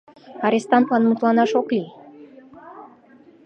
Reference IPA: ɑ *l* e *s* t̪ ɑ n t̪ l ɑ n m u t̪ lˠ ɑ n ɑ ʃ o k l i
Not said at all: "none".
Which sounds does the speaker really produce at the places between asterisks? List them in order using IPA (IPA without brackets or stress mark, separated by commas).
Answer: ɾ, s